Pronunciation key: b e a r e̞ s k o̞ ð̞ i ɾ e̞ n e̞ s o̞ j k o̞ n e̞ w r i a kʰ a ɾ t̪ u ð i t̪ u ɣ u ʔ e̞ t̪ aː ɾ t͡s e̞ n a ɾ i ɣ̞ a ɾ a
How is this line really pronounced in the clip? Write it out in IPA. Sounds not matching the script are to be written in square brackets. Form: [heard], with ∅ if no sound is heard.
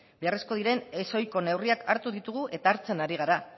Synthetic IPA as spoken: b e a r e̞ s k o̞ ð̞ i ɾ e̞ n e̞ s o̞ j k o̞ n e̞ w r i a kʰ a ɾ t̪ u ð i t̪ u ɣ u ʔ e̞ t̪ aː ɾ t͡s e̞ n a ɾ i ɣ̞ a ɾ a